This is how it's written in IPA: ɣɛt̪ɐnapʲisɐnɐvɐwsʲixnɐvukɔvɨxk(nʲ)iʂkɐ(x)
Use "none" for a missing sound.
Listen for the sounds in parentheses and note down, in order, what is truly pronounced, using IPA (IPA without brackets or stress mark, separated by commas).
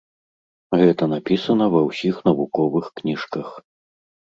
nʲ, x